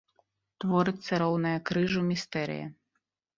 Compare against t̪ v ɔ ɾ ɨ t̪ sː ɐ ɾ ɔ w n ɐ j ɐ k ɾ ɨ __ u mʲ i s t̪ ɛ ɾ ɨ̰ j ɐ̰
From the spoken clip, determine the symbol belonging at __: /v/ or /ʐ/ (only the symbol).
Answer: ʐ